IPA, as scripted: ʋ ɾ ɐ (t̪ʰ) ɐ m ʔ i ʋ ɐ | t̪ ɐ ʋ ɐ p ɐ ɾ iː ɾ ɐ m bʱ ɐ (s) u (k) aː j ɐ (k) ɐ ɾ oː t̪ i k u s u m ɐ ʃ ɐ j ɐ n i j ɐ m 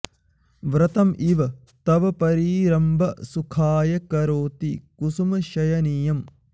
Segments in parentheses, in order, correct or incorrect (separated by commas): incorrect, correct, incorrect, correct